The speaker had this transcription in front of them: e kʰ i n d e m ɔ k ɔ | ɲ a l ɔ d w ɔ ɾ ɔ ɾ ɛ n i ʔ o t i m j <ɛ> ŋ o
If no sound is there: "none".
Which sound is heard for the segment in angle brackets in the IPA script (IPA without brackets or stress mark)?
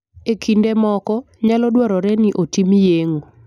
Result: e